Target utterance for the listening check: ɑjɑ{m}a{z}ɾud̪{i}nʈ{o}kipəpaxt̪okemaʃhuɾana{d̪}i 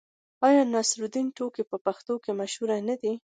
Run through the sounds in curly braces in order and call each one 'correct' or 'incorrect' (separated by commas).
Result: incorrect, incorrect, correct, correct, correct